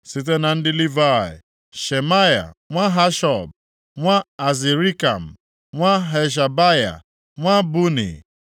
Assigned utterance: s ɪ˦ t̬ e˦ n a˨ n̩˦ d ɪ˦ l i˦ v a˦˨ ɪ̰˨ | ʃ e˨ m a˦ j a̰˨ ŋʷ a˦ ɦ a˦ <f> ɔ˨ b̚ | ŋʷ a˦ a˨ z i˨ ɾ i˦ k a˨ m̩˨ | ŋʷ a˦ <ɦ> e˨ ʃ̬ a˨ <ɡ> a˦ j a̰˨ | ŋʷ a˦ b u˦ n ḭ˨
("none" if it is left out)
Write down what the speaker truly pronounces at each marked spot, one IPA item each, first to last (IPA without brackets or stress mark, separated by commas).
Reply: ʃ, ɦ, b